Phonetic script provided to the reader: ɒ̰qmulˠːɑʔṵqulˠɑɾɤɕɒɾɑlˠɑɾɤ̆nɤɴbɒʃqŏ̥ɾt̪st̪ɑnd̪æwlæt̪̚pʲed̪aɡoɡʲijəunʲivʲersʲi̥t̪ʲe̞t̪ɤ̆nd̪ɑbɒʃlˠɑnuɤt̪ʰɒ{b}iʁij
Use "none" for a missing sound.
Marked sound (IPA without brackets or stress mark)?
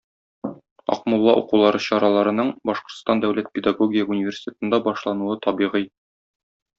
b